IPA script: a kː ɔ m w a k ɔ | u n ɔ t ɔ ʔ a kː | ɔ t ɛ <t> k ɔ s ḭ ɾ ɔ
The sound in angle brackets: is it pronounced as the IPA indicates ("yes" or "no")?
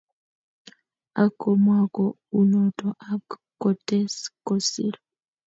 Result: no